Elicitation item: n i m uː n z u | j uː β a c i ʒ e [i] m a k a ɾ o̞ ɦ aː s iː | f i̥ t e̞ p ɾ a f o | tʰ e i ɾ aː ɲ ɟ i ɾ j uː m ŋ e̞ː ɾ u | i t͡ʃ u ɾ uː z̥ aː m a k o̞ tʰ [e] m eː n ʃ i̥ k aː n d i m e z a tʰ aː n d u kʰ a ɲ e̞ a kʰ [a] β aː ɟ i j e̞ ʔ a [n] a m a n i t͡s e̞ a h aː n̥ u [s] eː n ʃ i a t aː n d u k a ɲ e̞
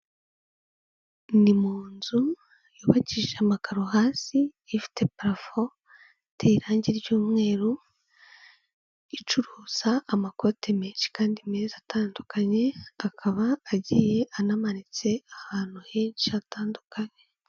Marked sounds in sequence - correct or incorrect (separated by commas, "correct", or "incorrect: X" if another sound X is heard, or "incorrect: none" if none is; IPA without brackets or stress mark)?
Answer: incorrect: a, correct, correct, correct, incorrect: h